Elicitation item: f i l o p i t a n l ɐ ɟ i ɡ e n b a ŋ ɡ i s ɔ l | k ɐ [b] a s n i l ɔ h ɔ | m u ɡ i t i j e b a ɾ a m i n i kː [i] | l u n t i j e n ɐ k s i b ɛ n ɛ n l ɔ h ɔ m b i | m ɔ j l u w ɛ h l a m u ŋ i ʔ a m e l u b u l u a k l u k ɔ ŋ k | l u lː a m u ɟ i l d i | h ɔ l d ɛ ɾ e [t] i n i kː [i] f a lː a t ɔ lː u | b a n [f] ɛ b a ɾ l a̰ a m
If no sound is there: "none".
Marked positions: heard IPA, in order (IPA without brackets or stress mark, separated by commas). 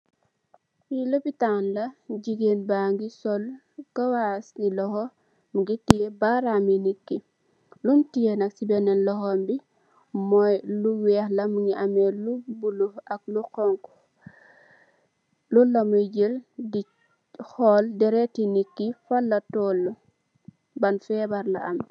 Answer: w, i, t, i, f